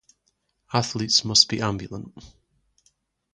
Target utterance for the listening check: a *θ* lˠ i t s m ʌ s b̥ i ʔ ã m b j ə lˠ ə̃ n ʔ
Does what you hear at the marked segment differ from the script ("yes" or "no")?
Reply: no